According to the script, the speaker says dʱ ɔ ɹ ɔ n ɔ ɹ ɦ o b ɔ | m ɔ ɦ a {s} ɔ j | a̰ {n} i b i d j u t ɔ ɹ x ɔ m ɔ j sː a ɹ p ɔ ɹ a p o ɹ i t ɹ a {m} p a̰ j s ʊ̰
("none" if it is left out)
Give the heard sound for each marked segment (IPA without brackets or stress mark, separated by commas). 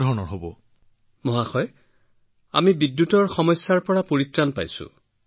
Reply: x, m, n